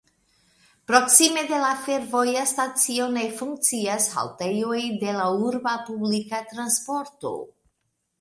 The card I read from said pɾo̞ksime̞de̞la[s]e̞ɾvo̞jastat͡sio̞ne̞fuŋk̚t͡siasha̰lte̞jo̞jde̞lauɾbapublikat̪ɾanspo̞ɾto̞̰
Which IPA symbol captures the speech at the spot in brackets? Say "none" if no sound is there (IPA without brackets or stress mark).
f